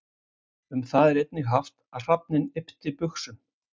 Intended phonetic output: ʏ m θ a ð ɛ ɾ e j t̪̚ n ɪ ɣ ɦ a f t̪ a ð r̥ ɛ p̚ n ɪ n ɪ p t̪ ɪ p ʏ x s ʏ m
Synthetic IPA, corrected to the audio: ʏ m θ a ð ɛ ɾ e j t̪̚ n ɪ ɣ ɦ a f t̪ a ð r̥ a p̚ n ɪ n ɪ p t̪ ɪ p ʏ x s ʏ m